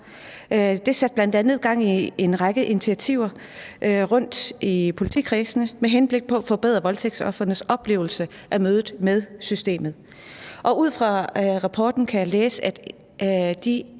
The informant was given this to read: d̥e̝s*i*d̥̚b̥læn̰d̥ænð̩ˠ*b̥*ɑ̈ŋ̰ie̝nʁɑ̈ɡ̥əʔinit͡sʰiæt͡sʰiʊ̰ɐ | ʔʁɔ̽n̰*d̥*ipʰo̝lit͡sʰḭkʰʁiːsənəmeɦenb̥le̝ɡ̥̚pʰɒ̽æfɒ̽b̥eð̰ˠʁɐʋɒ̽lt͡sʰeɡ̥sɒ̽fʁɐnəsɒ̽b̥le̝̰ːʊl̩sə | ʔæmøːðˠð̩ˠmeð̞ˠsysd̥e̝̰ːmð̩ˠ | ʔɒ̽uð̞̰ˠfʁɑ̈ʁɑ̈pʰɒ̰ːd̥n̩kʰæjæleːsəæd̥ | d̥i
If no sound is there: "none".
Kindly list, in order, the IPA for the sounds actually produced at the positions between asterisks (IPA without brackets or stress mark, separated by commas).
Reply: æ, ɡ̥, d̥